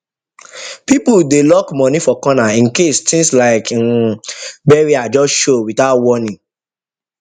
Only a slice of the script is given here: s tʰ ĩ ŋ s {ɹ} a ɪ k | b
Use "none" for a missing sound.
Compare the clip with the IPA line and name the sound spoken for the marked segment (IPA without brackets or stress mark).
l